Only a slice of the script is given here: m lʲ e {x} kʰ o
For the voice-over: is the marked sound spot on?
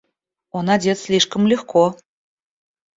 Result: yes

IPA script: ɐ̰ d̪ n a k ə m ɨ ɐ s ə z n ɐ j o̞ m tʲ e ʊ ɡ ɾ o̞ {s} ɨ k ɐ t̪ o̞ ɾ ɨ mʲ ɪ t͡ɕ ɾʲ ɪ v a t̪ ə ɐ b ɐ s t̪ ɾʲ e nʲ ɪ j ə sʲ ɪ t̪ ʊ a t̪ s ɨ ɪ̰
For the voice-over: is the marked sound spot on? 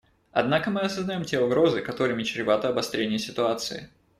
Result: no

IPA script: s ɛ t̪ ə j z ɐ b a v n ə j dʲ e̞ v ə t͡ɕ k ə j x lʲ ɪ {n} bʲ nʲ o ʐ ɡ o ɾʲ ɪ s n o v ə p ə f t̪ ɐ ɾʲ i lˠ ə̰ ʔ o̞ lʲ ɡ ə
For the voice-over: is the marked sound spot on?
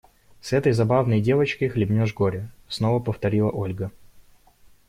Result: no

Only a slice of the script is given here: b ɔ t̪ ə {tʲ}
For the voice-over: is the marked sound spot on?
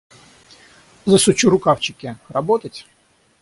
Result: yes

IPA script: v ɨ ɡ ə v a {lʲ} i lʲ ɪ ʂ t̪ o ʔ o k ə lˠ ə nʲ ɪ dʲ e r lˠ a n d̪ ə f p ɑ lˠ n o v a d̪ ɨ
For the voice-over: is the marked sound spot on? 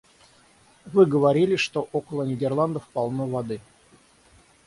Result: no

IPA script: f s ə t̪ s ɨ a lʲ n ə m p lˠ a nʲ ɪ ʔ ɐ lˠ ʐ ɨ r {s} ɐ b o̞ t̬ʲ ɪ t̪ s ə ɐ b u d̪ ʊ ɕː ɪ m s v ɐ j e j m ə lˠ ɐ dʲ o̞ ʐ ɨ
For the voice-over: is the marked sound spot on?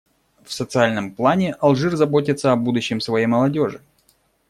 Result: no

